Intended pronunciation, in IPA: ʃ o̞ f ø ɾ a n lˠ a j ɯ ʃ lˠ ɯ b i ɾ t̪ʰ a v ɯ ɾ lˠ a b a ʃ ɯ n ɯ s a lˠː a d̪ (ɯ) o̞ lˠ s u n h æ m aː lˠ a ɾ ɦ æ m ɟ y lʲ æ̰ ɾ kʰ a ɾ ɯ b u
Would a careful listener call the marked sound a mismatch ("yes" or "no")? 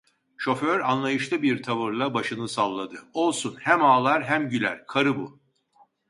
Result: no